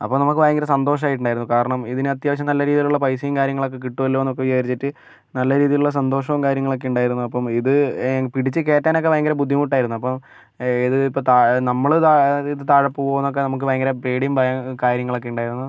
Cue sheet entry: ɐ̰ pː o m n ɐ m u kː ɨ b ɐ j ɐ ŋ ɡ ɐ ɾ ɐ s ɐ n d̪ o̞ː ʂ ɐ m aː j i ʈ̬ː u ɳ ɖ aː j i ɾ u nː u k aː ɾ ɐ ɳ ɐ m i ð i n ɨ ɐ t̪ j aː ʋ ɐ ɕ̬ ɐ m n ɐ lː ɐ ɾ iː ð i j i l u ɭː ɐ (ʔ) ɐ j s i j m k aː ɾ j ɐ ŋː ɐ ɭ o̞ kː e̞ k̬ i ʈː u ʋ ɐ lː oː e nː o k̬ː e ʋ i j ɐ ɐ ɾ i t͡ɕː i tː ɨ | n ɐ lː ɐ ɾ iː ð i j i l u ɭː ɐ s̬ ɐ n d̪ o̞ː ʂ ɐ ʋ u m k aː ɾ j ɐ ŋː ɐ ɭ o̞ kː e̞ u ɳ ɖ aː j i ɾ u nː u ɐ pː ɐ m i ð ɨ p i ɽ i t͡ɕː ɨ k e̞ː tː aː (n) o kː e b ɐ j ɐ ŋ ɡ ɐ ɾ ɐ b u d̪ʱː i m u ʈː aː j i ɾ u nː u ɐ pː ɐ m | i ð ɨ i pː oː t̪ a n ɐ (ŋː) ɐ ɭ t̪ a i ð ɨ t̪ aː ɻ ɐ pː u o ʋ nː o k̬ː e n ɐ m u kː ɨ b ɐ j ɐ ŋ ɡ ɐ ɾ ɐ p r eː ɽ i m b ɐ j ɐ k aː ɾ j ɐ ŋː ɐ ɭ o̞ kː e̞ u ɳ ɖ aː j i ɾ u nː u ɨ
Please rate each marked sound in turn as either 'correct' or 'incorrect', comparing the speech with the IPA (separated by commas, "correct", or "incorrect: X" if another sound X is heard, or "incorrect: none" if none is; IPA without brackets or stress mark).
incorrect: p, correct, incorrect: mː